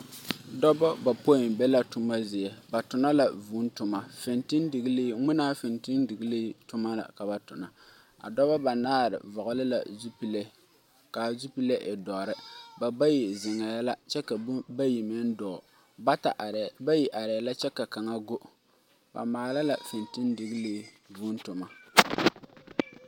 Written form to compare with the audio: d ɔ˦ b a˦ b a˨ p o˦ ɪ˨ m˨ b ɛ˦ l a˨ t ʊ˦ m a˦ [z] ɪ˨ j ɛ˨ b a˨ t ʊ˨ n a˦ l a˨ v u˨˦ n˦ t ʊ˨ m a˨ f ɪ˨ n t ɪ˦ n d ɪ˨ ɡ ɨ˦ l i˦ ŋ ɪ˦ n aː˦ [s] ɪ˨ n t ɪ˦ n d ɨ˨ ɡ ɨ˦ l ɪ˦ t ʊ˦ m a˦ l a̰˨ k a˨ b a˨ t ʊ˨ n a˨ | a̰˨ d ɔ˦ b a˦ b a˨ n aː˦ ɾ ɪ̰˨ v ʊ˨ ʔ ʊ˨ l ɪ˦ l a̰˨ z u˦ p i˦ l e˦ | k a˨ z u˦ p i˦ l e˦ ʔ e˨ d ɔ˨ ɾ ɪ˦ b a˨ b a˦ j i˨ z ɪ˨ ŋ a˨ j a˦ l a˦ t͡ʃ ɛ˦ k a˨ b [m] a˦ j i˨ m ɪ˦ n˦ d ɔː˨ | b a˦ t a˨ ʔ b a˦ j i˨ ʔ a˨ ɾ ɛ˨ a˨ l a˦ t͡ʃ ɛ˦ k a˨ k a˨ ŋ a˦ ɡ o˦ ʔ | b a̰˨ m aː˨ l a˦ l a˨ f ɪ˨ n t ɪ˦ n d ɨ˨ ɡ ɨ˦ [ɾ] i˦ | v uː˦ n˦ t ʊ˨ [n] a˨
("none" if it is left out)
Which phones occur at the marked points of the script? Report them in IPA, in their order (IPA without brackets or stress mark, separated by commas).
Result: z, f, b, l, m